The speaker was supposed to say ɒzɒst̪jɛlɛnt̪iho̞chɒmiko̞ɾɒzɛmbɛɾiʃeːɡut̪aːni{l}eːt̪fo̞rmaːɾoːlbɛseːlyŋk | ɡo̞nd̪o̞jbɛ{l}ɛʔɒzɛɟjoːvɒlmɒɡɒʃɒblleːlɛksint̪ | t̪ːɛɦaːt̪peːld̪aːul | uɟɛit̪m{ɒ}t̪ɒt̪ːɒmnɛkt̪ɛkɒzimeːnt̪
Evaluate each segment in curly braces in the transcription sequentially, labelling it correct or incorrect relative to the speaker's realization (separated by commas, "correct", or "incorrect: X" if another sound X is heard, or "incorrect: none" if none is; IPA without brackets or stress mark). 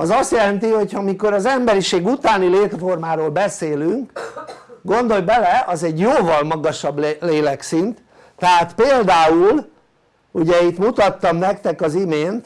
correct, correct, incorrect: u